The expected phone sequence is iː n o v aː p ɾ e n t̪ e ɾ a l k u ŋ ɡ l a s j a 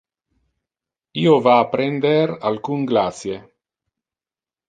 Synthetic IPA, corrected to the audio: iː o v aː p ɾ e n d̪ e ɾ a l k u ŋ ɡ l a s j e